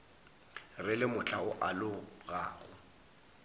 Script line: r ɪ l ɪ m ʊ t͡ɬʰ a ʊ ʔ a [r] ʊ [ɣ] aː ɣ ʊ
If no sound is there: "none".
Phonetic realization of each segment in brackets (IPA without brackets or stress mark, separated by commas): l, ɣ